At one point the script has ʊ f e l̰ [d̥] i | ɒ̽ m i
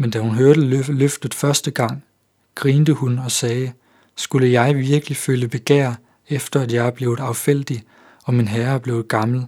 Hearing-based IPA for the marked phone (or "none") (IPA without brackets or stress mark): d̥